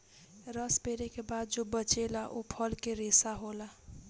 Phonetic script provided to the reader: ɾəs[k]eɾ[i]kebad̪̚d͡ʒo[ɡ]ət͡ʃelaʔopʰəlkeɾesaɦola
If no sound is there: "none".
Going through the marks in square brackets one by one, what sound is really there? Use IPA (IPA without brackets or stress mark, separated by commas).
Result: p, e, b